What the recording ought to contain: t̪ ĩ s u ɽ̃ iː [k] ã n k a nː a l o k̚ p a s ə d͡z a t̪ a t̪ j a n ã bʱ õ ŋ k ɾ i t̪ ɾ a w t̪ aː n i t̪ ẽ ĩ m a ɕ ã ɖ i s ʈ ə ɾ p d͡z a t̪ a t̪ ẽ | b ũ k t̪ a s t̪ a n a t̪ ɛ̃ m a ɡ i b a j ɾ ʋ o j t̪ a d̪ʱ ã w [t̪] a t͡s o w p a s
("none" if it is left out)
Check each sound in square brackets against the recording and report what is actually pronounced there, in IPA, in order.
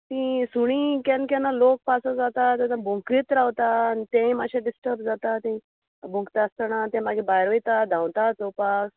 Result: k, t̪

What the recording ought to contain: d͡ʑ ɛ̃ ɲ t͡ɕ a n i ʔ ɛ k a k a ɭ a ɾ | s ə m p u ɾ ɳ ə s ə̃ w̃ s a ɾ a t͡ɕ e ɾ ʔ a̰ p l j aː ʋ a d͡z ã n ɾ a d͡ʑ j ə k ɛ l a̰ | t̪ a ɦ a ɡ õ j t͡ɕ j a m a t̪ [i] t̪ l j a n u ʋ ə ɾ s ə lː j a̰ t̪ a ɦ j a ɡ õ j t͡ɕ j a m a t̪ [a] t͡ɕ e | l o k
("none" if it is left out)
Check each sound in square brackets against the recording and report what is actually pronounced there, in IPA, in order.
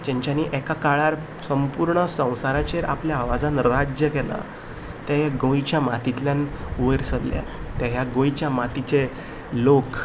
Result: i, i

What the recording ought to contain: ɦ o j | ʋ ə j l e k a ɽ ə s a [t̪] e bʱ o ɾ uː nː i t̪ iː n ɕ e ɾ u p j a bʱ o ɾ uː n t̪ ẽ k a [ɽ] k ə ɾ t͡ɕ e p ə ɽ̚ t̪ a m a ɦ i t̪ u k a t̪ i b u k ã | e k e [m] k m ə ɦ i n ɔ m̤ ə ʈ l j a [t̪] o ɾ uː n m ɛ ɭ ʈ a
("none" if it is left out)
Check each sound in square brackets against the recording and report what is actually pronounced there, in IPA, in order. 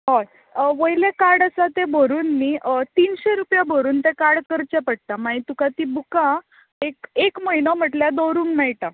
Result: t̪, ɽ, none, d̪

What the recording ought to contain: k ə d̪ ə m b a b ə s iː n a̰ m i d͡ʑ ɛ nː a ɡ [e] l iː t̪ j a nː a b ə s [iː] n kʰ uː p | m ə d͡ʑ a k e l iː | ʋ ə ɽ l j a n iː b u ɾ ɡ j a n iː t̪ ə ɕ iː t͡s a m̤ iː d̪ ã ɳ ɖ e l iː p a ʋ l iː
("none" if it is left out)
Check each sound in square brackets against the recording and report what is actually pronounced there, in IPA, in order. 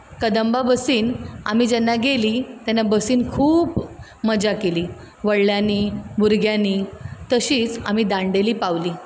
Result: e, iː

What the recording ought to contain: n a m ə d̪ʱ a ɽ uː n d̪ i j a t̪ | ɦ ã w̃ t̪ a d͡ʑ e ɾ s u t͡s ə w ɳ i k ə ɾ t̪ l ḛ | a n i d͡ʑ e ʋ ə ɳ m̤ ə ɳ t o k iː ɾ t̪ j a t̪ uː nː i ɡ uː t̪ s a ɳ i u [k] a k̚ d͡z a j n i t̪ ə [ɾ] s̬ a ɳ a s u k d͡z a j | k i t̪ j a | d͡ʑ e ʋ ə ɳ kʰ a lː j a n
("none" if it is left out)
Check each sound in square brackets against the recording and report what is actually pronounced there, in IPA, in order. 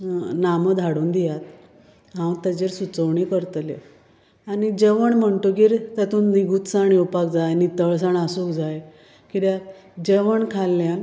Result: p, ɭ

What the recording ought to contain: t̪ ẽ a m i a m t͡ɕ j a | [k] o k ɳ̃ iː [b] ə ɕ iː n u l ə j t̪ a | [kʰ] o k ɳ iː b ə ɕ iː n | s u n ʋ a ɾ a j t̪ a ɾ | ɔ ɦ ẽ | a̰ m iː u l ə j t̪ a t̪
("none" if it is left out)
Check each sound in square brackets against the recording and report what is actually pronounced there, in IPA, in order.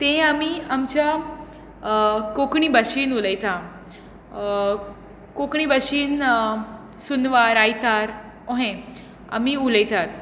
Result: k, b, k

